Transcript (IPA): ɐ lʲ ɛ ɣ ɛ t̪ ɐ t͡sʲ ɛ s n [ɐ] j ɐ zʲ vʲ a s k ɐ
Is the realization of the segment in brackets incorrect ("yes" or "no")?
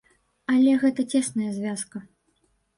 no